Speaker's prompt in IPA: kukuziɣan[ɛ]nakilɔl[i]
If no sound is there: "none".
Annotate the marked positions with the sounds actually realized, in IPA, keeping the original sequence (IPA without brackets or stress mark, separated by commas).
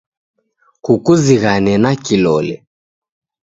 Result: ɛ, ɛ